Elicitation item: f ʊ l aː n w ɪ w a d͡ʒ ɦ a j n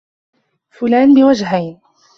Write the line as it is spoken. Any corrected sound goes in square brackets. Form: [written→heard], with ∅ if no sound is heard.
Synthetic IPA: f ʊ l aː n [w→b] ɪ w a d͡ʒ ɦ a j n